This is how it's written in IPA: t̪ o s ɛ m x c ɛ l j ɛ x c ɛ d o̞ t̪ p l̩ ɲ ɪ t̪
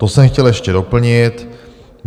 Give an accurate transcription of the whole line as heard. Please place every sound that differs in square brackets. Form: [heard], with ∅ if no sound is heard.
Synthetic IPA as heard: t̪ o s ɛ m x c ɛ l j ɛ [ʃ] c ɛ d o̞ [∅] p l̩ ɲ ɪ t̪